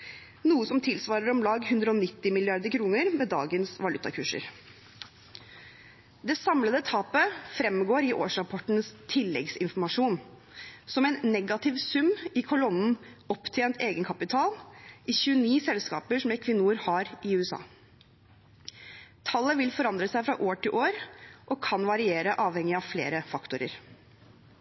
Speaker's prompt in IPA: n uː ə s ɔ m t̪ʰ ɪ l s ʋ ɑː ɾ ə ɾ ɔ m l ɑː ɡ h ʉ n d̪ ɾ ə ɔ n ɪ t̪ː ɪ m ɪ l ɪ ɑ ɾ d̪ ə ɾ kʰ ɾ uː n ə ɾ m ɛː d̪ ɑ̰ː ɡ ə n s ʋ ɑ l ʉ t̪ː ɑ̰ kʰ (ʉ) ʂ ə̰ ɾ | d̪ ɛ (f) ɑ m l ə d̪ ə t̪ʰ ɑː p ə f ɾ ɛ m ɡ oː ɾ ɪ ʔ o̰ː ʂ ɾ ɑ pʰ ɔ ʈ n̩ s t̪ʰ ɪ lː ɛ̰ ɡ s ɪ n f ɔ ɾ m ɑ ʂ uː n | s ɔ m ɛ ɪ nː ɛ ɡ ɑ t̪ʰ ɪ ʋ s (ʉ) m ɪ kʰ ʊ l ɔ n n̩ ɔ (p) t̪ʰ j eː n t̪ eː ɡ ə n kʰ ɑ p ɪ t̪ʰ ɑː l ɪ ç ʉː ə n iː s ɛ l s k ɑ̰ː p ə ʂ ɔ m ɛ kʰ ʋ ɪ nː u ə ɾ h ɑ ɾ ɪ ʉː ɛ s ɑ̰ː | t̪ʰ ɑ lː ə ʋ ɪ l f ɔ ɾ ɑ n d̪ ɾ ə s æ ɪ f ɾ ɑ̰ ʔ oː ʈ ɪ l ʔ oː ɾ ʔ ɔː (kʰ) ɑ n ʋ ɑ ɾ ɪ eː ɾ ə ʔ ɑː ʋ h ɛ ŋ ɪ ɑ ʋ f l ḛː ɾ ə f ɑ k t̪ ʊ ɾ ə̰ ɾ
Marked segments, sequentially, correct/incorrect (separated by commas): incorrect, incorrect, correct, correct, correct